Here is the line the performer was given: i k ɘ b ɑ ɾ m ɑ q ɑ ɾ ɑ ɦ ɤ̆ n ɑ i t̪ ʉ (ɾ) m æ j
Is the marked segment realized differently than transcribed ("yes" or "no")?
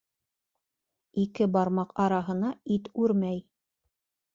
no